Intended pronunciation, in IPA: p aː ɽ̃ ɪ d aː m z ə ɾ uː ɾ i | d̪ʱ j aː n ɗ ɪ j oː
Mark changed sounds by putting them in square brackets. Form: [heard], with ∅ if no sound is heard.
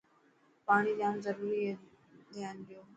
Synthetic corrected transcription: p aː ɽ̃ [i] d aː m z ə ɾ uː ɾ i | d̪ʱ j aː n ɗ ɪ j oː